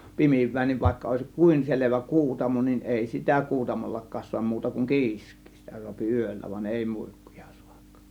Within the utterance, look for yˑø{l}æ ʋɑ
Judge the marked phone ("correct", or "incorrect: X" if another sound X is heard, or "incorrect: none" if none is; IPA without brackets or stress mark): incorrect: lː